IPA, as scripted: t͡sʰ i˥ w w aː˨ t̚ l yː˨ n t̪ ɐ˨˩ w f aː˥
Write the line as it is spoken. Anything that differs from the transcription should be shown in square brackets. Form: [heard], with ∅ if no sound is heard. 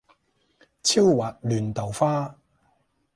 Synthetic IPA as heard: t͡sʰ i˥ w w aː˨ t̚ l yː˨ n t̪ ɐ˨˩ w f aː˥